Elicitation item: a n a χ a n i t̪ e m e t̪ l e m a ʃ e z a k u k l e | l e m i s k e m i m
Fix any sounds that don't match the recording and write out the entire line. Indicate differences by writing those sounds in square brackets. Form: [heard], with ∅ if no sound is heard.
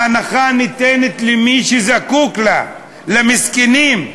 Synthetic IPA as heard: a n a χ a n i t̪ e [n] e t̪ l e m [i] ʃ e z a k u k l [a] | l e m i s k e [n] i m

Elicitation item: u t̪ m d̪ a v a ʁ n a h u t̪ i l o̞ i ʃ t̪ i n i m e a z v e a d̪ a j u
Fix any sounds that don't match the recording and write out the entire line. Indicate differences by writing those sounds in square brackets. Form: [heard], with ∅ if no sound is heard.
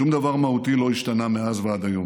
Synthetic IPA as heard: u [∅] m d̪ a v a ʁ [m] a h u t̪ i l o̞ i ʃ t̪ [a] n [a] m e a z v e a d̪ a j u

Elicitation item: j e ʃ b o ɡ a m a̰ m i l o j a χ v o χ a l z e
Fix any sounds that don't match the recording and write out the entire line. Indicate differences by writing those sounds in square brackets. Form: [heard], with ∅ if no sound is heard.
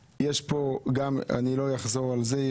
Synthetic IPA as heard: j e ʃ [p] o ɡ a m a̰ [n] i l o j a χ [z] o [ʁ] a l z e

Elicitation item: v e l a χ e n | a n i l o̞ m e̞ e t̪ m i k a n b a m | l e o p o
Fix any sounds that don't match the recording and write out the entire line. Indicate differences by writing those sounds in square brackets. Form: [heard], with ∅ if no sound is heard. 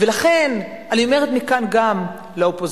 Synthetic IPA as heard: v e l a χ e n | a n i [∅] o̞ m e̞ e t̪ m i k a n [ɡ] a m | l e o p o

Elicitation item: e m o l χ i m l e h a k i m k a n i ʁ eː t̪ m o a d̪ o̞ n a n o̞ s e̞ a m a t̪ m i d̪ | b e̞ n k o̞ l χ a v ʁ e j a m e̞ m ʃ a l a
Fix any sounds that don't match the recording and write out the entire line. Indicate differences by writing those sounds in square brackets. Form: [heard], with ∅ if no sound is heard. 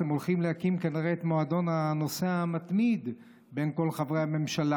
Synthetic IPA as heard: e m o l χ i m l e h a k i m k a n i ʁ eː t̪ m o a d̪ o̞ n a n o̞ s e̞ a m a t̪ m i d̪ | b e̞ n k o̞ l χ a v ʁ e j a m e̞ m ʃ a l a

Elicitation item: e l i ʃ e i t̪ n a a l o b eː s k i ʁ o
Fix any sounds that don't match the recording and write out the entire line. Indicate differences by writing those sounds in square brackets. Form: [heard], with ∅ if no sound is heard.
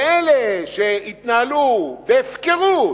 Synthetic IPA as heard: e l [e] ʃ e i t̪ n a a l [u] b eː [f] k [e] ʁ [u]

